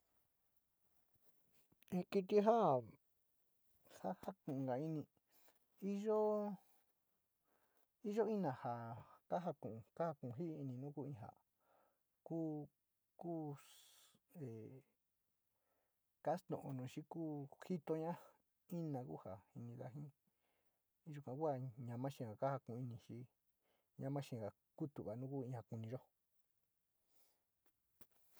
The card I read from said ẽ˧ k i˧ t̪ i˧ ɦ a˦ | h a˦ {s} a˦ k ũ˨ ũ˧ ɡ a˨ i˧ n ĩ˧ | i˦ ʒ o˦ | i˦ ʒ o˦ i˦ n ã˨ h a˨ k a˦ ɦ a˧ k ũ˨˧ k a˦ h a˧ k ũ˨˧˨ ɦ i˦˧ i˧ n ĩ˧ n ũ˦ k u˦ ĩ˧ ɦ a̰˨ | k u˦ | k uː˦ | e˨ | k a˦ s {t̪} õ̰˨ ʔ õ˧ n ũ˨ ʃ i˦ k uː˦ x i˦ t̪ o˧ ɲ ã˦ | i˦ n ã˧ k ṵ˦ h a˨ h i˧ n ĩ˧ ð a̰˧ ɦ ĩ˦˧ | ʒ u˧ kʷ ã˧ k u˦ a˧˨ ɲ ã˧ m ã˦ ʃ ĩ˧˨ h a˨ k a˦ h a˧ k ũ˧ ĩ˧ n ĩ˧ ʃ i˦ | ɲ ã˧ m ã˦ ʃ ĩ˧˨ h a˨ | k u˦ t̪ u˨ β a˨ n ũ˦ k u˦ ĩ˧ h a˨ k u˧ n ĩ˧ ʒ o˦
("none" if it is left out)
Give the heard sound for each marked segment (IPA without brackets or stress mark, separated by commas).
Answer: h, t̪